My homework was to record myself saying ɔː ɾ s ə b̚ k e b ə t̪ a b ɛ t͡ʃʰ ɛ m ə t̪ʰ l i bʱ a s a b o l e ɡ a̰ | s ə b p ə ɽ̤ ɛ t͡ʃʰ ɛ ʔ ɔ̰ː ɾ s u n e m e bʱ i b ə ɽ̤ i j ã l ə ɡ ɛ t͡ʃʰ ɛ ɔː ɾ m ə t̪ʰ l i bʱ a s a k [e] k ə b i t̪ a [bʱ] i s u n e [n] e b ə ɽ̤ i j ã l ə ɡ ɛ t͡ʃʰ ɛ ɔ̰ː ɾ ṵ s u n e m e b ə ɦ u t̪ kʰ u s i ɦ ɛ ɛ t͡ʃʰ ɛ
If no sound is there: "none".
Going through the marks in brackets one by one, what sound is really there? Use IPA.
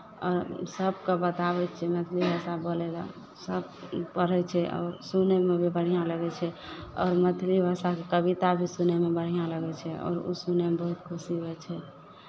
e, bʱ, m

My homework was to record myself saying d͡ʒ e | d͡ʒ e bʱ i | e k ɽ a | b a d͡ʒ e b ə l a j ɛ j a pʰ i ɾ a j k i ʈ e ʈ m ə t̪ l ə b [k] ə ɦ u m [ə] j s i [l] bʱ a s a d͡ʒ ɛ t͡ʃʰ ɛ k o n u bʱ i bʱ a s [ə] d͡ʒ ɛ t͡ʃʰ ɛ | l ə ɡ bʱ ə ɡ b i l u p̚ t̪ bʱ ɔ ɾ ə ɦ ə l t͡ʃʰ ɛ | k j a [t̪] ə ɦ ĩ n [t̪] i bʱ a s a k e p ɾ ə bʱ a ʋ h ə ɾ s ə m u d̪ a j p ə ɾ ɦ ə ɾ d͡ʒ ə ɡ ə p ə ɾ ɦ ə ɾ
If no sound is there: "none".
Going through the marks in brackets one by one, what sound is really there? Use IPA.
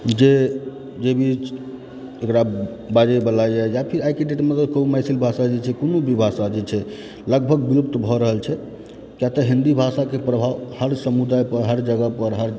k, a, l, a, t̪, d̪

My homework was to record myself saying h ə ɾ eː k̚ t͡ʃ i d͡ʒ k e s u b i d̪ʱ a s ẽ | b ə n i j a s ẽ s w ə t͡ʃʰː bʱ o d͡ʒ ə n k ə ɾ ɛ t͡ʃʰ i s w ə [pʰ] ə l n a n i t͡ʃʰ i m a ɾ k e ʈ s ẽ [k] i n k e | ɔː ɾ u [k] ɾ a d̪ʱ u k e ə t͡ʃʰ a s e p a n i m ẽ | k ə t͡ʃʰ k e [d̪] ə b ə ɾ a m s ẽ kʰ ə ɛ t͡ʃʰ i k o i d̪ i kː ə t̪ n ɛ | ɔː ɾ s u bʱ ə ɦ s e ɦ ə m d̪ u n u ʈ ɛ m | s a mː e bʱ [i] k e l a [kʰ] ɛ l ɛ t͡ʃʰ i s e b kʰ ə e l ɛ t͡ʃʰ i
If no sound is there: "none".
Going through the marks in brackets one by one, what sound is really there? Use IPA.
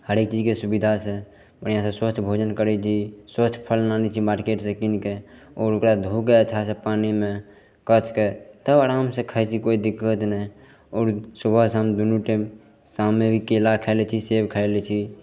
pʰ, k, k, t̪, i, kʰ

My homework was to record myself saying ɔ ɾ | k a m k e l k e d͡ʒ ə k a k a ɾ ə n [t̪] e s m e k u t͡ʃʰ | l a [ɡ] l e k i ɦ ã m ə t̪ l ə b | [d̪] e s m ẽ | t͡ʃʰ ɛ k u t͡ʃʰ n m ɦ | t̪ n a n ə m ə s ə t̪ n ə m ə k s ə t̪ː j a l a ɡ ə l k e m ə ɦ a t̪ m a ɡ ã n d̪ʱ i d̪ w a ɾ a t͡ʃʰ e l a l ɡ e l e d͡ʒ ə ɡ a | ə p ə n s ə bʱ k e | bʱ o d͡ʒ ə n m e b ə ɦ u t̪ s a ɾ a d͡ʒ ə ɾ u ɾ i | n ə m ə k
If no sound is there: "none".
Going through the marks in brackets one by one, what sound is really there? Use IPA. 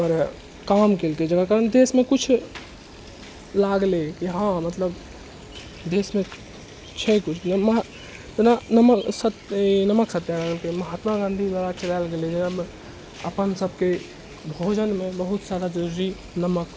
d̪, ɡ, d̪

